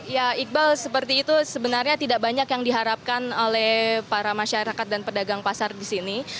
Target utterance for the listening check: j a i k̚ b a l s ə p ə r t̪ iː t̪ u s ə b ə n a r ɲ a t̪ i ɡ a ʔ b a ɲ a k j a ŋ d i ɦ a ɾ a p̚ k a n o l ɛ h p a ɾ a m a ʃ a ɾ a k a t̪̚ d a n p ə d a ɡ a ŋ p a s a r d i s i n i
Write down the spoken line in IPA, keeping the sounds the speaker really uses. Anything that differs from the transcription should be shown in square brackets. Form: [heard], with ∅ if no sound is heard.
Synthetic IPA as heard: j a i k̚ b a l s ə p ə r t̪ iː t̪ u s ə b ə n a r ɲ a t̪ i [d] a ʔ b a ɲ a k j a ŋ d i ɦ a ɾ a p̚ k a n o l ɛ h p a ɾ a m a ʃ a ɾ a k a t̪̚ d a n p ə d a ɡ a ŋ p a s a r d i s i n i